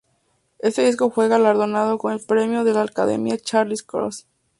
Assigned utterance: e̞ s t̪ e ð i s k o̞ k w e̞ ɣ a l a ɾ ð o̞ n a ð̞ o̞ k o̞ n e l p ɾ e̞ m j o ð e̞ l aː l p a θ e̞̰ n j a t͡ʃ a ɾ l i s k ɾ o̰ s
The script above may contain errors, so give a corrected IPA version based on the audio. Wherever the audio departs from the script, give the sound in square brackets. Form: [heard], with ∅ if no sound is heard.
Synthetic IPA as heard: e̞ s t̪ e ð i s k o̞ [x] w e̞ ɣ a l a ɾ ð o̞ n a ð̞ o̞ k o̞ n e l p ɾ e̞ m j o ð e̞ l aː l [k] a [ð] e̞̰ [m] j a t͡ʃ a ɾ l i s k ɾ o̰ s